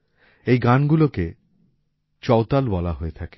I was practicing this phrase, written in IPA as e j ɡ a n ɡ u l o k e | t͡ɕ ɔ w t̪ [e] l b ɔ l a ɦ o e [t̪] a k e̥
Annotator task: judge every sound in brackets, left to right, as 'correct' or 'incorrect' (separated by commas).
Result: incorrect, incorrect